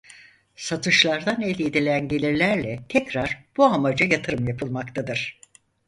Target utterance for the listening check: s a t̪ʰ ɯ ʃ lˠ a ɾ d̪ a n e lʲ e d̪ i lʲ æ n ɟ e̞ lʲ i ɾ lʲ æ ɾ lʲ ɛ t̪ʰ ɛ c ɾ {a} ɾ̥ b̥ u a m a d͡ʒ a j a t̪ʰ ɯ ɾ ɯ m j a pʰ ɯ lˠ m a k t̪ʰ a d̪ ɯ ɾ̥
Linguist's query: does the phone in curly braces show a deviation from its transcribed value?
no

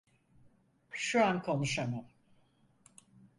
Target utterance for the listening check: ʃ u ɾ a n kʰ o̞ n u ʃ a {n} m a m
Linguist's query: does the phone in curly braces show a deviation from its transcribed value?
yes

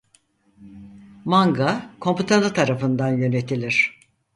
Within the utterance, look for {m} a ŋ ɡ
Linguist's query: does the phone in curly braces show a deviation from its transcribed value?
no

